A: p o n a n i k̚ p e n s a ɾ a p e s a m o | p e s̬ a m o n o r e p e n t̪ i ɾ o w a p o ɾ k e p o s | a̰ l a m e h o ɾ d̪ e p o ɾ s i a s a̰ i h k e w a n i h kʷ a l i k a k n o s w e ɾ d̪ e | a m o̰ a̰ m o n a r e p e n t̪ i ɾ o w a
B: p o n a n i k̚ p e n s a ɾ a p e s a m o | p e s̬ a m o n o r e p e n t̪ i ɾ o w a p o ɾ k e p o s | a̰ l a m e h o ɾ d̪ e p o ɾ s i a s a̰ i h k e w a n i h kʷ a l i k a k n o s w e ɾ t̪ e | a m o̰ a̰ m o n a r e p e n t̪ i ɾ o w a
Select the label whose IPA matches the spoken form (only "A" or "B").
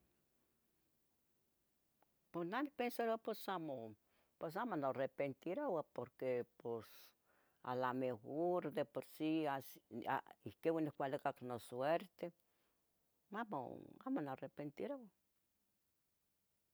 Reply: B